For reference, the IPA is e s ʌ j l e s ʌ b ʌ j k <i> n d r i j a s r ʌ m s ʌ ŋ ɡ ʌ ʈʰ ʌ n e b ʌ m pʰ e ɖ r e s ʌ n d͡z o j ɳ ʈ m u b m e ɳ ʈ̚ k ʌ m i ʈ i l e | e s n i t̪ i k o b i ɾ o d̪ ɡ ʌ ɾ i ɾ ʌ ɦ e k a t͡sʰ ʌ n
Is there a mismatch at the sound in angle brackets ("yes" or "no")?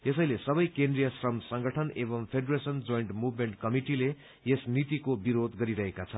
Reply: yes